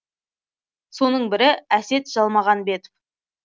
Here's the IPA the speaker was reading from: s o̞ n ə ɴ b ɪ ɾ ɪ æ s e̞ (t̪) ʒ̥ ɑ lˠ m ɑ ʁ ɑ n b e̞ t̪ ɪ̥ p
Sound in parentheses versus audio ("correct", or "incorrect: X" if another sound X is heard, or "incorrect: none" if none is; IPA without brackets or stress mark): correct